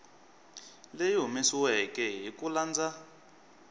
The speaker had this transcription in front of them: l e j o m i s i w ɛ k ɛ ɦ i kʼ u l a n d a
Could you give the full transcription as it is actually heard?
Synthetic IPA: l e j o m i s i w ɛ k ɛ ɦ i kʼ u l a n d͡z a